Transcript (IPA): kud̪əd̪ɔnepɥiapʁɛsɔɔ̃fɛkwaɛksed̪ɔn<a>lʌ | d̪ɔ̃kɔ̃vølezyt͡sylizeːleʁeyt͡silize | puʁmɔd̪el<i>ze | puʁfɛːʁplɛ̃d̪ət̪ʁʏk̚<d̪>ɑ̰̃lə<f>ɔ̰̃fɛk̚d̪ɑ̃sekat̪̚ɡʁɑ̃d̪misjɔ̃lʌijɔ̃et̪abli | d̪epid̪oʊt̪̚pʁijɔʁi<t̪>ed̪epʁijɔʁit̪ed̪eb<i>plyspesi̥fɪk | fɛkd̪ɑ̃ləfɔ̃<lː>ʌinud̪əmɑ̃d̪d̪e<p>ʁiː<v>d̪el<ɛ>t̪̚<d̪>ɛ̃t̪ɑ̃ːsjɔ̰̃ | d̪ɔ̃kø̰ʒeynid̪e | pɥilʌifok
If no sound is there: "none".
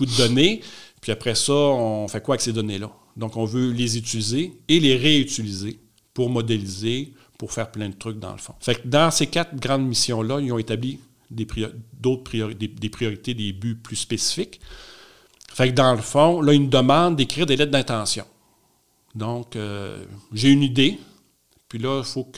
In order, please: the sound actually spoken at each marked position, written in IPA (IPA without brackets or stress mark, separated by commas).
e, i, d̪, f, d̪, y, l, k, ʁ, ɛ, d̪